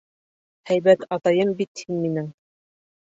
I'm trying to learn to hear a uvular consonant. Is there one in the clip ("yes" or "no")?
no